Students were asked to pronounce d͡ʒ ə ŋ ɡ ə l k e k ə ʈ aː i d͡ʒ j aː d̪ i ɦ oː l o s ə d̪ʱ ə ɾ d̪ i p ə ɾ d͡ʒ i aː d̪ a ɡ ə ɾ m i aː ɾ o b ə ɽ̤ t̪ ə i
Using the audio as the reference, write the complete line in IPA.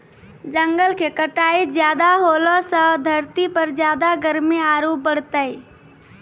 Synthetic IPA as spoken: d͡ʒ ə ŋ ɡ ə l k e k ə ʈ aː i d͡ʒ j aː d̪ a ɦ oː l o s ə d̪ʱ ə ɾ t̪ i p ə ɾ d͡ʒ j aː d̪ a ɡ ə ɾ m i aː ɾ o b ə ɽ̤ t̪ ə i